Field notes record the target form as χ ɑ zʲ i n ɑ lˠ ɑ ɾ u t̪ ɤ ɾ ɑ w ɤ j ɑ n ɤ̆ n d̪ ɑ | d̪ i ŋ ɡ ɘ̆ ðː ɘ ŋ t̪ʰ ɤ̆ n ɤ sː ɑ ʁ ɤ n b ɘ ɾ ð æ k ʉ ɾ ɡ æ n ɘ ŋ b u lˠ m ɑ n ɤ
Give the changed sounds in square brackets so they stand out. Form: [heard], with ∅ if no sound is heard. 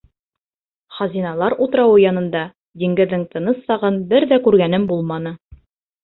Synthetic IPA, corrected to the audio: χ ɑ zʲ i n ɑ lˠ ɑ ɾ u t̪ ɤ ɾ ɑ w ɤ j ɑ n ɤ̆ n d̪ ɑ | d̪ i ŋ ɡ ɘ̆ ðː ɘ ŋ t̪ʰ ɤ̆ n ɤ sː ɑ ʁ ɤ n b ɘ ɾ ð æ k ʉ ɾ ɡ æ n ɘ [m] b u lˠ m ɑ n ɤ